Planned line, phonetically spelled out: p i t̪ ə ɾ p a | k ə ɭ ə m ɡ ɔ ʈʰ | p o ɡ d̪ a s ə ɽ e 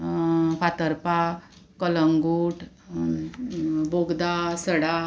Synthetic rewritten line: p a t̪ ə ɾ p a | k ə l ə ŋ ɡ u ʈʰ | b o ɡ d̪ a s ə ɽ a